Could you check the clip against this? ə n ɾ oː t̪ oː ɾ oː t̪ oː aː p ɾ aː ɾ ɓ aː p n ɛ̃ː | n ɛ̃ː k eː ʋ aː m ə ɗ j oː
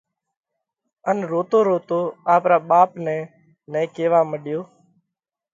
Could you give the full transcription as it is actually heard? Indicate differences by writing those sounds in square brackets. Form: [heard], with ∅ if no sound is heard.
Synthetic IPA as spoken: ə n ɾ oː t̪ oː ɾ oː t̪ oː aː p ɾ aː [∅] ɓ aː p n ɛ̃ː | n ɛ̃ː k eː ʋ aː m ə ɗ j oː